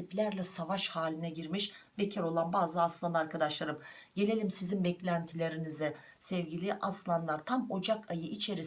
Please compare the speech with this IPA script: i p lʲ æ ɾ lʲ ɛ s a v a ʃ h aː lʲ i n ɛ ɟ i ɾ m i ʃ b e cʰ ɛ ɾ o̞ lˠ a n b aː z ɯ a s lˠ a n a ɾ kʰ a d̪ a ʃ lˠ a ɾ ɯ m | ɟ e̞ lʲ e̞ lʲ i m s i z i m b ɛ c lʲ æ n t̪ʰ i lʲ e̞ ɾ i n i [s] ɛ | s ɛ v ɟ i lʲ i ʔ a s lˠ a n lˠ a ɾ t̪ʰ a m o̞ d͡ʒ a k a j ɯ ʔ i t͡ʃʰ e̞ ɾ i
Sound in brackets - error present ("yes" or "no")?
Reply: yes